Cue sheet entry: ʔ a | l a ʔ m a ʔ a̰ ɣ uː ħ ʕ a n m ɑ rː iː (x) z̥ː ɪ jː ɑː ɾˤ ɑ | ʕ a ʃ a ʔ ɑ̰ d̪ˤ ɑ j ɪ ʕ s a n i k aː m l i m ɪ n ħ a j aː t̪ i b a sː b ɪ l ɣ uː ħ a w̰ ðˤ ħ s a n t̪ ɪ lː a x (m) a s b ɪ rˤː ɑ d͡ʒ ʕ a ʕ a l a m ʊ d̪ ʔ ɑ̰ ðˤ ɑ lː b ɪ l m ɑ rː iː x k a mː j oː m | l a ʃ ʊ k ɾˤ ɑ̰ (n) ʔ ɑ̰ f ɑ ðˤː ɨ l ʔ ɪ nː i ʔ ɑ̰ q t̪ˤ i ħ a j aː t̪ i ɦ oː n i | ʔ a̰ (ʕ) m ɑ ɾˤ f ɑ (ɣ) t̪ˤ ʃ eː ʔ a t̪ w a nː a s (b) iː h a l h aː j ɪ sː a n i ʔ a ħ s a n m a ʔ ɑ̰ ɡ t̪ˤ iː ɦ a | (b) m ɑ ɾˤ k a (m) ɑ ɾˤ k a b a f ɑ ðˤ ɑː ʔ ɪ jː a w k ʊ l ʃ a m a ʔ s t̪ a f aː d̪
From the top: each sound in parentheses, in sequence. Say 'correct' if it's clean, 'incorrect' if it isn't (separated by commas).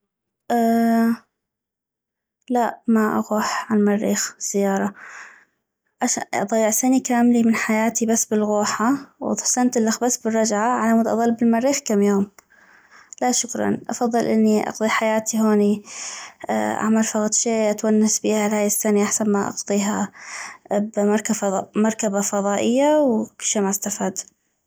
correct, incorrect, correct, correct, correct, correct, correct, correct